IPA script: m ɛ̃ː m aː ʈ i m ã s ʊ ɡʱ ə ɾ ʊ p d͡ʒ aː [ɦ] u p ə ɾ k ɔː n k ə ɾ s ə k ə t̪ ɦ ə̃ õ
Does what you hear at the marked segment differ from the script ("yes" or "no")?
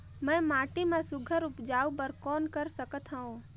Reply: yes